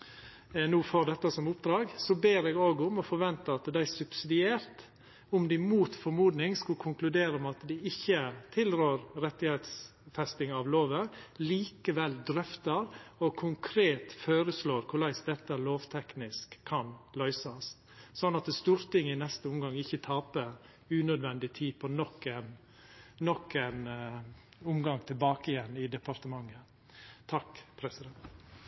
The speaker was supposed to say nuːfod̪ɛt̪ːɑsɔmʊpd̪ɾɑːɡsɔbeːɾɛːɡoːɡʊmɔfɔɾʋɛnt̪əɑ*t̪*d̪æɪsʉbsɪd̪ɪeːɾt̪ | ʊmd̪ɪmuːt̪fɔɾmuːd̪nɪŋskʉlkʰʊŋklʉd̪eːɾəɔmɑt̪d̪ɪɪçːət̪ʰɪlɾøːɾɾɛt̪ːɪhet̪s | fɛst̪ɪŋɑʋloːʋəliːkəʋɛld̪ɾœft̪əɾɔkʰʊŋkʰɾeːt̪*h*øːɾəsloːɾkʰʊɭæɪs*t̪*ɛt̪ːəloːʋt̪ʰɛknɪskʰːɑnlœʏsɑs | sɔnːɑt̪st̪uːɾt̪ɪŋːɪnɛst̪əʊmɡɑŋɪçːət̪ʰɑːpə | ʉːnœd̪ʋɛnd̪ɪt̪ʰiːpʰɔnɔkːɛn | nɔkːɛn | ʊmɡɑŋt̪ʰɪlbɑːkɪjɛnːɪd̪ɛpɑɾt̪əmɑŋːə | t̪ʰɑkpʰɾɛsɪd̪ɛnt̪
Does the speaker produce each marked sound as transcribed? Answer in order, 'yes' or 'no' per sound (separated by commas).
yes, no, no